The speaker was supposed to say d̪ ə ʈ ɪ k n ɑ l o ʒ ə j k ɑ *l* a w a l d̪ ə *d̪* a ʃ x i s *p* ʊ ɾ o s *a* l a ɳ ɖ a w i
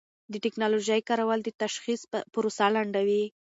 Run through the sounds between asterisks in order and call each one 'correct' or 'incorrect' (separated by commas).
incorrect, incorrect, correct, correct